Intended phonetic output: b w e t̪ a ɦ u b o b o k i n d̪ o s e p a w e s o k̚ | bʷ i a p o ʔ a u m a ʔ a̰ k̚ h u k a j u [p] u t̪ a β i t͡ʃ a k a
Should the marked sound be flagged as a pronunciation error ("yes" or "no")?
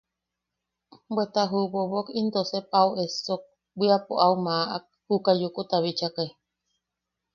yes